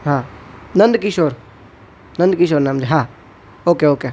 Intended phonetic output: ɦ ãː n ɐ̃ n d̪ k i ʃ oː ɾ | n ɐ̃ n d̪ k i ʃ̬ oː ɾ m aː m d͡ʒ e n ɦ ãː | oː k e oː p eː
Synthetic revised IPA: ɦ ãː n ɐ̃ n d̪ k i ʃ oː ɾ | n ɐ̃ n d̪ k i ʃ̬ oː ɾ n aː m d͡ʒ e ɦ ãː | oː k e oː k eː